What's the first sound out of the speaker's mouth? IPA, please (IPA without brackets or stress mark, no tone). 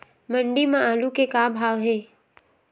m